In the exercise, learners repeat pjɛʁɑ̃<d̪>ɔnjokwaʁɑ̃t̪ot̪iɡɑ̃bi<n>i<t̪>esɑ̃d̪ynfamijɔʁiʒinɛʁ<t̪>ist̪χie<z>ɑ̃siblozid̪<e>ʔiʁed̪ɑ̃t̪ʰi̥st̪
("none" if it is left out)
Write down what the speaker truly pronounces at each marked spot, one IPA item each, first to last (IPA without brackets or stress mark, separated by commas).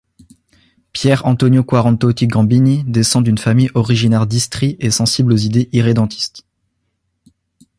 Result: t̪, n, d̪, d̪, s, e